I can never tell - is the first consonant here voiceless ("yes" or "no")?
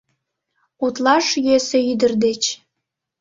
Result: yes